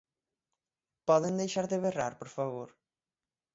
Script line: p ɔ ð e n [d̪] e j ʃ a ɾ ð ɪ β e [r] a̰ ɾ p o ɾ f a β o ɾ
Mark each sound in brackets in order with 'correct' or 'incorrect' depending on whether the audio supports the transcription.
correct, correct

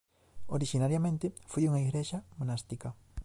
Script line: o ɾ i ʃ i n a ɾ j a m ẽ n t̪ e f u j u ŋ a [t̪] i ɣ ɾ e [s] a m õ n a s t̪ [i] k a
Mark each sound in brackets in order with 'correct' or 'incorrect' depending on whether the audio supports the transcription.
incorrect, incorrect, correct

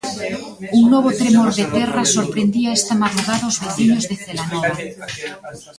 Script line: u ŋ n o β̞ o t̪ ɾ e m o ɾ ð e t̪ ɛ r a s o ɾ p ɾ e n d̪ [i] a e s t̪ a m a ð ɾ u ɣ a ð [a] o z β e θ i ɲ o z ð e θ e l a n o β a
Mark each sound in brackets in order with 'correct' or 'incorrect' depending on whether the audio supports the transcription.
correct, correct

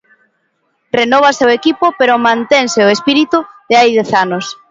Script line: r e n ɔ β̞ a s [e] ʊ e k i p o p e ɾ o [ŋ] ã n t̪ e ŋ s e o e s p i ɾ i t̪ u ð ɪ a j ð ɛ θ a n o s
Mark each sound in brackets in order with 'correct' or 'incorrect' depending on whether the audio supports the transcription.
correct, incorrect

